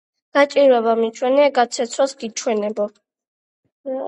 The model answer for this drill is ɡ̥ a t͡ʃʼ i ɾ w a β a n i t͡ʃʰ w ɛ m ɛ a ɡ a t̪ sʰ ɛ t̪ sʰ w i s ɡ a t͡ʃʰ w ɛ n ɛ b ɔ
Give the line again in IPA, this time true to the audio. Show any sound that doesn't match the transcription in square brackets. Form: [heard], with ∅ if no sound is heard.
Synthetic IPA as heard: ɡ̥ a t͡ʃʼ i ɾ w [ɛ] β a [m] i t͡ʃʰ w ɛ [n] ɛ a ɡ a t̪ sʰ ɛ t̪ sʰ w [a] s ɡ [i] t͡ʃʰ w ɛ n ɛ b ɔ